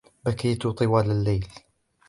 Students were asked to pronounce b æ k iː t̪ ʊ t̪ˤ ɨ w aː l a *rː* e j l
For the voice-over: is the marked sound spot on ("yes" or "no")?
no